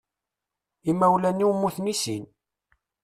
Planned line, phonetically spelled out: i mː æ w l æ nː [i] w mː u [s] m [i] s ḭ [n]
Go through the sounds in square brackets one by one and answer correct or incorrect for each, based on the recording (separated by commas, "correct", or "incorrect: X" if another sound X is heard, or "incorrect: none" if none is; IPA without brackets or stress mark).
correct, incorrect: θ, correct, correct